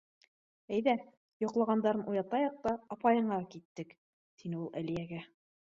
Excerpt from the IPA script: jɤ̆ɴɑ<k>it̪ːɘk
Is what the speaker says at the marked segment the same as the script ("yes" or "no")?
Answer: yes